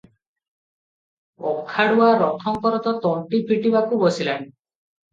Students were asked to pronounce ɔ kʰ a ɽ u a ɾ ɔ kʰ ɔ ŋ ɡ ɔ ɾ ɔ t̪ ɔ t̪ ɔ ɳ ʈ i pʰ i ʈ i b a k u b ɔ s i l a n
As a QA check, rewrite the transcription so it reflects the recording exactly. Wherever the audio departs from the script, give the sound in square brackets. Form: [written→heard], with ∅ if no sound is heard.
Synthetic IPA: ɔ kʰ a ɽ u a ɾ ɔ kʰ ɔ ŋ [ɡ→k] ɔ ɾ ɔ t̪ ɔ t̪ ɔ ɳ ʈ i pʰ i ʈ i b a k u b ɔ s i l a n